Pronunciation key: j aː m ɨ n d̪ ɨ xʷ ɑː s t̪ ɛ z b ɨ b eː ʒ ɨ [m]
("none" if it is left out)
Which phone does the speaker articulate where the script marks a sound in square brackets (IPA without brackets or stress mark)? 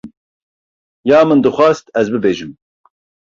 m